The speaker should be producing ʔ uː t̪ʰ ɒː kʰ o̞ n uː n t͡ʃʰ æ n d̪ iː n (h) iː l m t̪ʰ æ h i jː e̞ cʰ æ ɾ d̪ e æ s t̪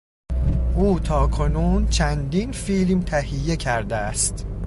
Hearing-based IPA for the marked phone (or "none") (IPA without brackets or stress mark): f